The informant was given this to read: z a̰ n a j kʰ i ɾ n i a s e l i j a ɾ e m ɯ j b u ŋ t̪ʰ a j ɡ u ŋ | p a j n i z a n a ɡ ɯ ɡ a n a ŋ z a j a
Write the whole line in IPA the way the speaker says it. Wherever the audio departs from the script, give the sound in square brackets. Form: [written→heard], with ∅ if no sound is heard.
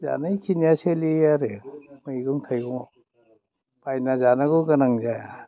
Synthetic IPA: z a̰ n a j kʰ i [ɾ→∅] n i a s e l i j a ɾ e m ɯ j [b→ɡ] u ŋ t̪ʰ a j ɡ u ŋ | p a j n [i→a] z a n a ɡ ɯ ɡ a n a ŋ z a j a